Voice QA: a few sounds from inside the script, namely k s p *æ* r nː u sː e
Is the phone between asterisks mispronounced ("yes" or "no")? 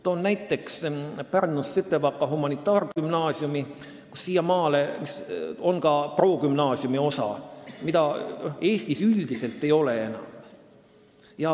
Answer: no